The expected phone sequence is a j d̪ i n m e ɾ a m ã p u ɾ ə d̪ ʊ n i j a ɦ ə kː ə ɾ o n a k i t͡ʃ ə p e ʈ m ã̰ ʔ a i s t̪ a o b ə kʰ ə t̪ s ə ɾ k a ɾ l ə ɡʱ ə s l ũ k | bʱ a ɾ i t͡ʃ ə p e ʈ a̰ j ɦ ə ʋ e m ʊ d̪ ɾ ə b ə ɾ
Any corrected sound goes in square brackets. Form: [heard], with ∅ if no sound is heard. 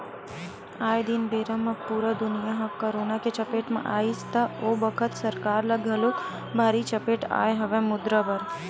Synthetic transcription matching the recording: a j d̪ i n [b] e ɾ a m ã p u ɾ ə d̪ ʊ n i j a ɦ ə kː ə ɾ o n a k [e] t͡ʃ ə p e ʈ m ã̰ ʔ a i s t̪ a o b ə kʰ ə t̪ s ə ɾ k a ɾ l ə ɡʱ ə [∅] l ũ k | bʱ a ɾ i t͡ʃ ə p e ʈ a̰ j ɦ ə ʋ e m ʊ d̪ ɾ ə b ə ɾ